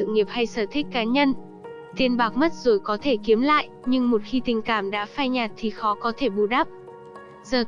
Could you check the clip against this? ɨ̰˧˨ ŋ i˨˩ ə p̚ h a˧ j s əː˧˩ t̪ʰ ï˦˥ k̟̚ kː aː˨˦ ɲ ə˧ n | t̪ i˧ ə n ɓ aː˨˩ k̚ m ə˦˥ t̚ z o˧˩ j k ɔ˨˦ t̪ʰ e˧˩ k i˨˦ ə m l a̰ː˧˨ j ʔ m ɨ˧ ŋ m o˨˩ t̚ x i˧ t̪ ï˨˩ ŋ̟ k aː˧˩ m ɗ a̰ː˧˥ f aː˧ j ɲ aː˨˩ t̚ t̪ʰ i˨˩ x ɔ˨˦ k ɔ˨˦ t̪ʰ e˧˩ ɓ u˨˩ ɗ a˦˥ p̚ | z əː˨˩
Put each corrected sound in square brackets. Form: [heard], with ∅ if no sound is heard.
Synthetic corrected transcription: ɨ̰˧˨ ŋ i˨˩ ə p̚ h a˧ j s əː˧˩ t̪ʰ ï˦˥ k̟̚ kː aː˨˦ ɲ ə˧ n | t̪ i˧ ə n ɓ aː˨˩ k̚ m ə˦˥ t̚ z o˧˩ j k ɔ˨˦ t̪ʰ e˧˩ k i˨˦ ə m l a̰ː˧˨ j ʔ [ɲ] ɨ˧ ŋ m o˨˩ t̚ x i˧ t̪ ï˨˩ ŋ̟ k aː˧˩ m ɗ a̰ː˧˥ f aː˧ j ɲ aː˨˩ t̚ t̪ʰ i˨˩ x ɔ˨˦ k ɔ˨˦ t̪ʰ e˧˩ ɓ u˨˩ ɗ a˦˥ p̚ | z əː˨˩